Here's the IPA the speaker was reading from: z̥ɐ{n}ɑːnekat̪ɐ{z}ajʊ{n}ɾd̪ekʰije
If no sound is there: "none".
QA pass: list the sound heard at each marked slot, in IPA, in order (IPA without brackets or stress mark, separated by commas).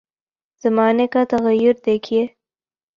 m, ɣ, none